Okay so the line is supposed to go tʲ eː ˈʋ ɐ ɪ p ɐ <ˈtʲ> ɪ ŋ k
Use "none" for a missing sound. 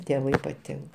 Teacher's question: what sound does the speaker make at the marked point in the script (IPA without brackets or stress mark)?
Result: tʲ